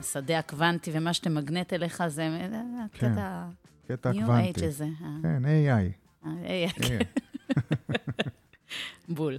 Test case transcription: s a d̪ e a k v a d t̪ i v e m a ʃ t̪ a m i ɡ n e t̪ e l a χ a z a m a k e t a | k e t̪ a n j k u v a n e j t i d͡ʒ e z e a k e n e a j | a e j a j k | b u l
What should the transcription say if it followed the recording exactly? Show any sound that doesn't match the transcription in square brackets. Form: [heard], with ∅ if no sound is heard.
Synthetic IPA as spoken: s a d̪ e a k v a [n] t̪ i v e m a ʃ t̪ [e] m [a] ɡ n e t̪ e l [e] χ a z [e] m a k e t a | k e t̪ a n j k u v a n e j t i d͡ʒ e z e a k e n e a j | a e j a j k | b u l